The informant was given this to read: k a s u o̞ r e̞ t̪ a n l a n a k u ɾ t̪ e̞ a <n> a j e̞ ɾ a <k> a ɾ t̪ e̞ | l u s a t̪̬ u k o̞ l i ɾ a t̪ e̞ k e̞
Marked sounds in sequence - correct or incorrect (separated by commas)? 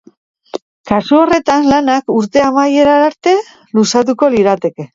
incorrect, incorrect